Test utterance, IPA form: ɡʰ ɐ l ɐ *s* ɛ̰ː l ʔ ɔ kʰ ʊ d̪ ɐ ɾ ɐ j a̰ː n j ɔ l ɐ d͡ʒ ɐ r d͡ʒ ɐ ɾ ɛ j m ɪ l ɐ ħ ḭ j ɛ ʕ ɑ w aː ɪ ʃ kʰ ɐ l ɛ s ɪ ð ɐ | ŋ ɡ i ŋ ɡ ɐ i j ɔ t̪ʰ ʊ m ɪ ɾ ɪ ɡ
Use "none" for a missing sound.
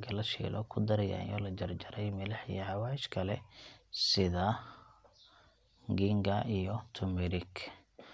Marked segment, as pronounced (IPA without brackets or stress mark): ʃ